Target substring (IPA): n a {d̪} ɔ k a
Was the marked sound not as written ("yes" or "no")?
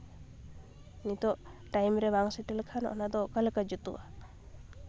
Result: no